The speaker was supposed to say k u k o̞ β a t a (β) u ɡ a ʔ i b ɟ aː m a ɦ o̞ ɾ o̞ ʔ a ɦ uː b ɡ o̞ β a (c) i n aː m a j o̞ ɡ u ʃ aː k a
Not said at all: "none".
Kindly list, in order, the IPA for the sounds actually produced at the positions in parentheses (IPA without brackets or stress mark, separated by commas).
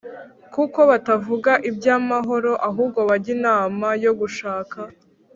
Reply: v, ɟ